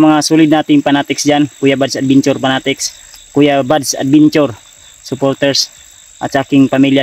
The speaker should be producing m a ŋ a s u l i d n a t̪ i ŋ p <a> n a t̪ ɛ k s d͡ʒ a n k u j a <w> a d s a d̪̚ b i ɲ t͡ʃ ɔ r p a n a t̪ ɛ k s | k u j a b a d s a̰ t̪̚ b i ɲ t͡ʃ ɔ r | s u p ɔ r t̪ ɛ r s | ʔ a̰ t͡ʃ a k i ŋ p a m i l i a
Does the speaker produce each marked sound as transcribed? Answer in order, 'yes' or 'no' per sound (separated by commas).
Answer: yes, no